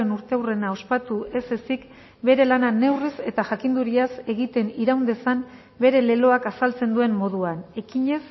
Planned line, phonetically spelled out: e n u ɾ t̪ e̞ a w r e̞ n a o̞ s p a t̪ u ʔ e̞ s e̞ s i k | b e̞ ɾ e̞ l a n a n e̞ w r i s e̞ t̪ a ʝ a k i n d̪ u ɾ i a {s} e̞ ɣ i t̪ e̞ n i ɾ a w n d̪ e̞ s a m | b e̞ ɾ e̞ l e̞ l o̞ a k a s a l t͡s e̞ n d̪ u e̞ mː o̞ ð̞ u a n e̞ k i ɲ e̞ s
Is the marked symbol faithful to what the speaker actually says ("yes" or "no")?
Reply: yes